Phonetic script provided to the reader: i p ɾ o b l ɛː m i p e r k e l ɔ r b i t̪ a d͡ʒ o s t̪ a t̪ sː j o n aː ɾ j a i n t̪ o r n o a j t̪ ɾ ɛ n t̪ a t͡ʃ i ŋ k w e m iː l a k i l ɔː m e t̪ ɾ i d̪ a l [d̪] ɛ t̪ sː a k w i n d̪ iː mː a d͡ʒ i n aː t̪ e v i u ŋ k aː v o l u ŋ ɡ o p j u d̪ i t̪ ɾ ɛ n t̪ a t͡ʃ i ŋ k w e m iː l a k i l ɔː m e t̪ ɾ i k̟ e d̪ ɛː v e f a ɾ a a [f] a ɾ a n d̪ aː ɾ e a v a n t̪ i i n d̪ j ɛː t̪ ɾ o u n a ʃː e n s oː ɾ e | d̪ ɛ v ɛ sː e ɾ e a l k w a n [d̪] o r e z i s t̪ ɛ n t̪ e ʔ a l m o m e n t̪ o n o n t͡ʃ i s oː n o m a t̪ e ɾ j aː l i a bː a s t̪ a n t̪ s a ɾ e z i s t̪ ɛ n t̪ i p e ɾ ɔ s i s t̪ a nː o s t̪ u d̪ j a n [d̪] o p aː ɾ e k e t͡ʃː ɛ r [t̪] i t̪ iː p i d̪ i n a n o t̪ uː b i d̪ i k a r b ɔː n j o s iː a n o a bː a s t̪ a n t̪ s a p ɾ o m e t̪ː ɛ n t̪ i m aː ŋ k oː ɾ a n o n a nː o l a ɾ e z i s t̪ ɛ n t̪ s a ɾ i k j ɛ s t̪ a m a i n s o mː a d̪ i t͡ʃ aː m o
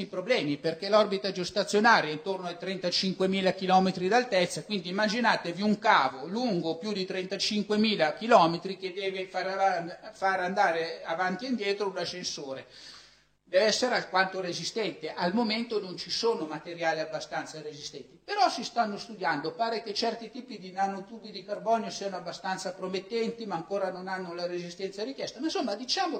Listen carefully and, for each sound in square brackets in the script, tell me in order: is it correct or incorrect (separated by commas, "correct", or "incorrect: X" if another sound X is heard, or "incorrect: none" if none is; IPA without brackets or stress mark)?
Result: incorrect: t̪, correct, incorrect: t̪, correct, correct